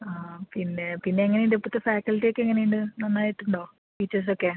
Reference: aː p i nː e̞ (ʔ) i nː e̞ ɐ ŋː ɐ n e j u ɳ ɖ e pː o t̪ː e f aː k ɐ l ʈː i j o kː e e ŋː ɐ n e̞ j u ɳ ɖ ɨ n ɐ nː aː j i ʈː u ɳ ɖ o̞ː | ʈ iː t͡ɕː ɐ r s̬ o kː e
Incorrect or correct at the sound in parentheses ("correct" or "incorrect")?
incorrect